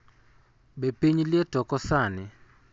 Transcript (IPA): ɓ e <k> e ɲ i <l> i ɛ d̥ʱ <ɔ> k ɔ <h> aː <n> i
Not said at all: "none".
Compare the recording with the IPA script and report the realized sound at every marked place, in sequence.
p, l, ɔ, s, n

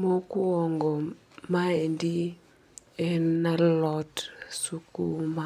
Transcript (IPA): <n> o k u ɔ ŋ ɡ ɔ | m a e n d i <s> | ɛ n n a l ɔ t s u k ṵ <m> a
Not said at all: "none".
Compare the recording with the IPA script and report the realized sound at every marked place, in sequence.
m, none, m

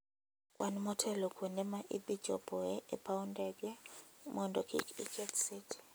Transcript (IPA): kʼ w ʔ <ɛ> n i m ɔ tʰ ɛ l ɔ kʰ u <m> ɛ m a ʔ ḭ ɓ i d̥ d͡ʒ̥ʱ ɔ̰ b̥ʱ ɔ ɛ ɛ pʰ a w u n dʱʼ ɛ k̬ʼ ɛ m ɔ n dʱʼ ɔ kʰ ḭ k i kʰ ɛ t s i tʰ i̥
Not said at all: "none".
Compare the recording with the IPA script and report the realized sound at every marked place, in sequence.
a, n

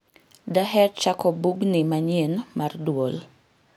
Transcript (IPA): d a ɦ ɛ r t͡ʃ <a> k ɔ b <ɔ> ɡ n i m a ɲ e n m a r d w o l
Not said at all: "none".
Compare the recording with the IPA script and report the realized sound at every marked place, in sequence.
a, u

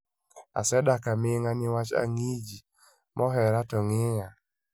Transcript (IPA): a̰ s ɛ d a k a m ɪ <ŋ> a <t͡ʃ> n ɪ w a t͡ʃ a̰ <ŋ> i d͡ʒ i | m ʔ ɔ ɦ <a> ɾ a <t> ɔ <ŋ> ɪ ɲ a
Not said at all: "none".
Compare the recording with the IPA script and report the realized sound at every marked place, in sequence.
ŋ, none, ŋ, ɛ, t, ŋ

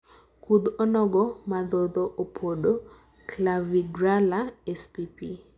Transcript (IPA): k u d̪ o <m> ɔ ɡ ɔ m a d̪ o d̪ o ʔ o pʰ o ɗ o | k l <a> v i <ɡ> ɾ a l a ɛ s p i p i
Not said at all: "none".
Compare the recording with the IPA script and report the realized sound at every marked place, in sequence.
n, a, ɡ

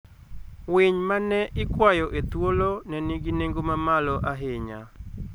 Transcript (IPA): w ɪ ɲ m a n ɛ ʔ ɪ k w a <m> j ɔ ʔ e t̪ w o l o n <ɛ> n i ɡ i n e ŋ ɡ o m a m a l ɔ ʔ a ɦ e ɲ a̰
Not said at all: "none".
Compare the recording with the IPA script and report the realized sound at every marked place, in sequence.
none, ɛ

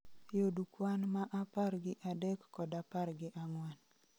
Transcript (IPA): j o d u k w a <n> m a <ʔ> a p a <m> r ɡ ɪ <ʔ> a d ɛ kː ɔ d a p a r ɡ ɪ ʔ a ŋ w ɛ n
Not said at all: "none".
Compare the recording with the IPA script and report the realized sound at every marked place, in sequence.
n, ʔ, none, ʔ

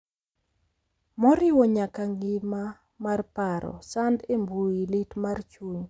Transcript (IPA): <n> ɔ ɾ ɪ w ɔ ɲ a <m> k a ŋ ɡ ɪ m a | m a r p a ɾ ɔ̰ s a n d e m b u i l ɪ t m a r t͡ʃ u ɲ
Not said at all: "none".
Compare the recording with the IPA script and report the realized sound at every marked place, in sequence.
m, none

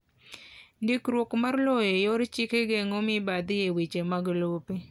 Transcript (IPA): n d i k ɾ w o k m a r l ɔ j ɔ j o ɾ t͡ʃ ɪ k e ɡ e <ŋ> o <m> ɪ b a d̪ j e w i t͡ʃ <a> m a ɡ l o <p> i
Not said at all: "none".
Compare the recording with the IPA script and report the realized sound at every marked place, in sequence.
ŋ, m, e, p

